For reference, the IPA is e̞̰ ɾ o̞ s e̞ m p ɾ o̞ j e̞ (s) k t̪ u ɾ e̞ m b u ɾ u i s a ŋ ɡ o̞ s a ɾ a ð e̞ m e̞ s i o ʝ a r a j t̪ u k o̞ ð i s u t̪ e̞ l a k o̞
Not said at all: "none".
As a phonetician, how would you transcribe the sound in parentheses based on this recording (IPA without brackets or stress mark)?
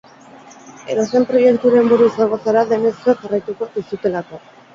none